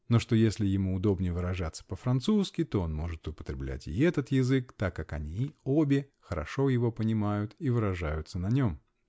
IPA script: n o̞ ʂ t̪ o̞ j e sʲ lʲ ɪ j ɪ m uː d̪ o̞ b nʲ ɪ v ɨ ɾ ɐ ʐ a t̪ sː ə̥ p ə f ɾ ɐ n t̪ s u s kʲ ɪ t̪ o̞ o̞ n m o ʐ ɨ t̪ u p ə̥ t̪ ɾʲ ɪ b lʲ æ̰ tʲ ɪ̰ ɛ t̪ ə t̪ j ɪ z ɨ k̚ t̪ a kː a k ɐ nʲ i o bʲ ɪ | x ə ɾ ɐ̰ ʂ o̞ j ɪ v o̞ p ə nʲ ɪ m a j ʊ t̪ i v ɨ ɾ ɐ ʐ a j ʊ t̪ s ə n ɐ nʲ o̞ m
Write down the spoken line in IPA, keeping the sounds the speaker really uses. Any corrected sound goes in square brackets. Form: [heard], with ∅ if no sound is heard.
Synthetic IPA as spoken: n o̞ ʂ t̪ o̞ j e sʲ lʲ ɪ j ɪ m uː d̪ o̞ b nʲ ɪ v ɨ ɾ ɐ ʐ a t̪ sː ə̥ p ə f ɾ ɐ n t̪ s u s kʲ ɪ t̪ o̞ o̞ n m o ʐ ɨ t̪ [ʊ] p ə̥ t̪ ɾʲ ɪ b lʲ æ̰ tʲ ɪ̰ ɛ t̪ ə t̪ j ɪ z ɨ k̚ t̪ a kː a k ɐ nʲ i o bʲ ɪ | x ə ɾ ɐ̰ ʂ o̞ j ɪ v o̞ p ə nʲ ɪ m a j ʊ t̪ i v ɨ ɾ ɐ ʐ a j ʊ t̪ s ə n ɐ nʲ o̞ m